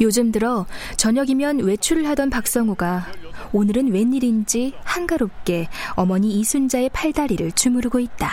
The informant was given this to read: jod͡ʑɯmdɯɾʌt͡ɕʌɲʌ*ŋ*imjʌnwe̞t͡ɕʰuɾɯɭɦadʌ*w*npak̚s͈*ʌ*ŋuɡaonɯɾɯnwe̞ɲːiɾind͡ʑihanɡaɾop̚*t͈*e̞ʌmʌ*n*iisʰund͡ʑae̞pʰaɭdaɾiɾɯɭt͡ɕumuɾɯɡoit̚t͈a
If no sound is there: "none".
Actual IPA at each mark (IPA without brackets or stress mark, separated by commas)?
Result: ɡ, none, ʌ, k͈, ɲ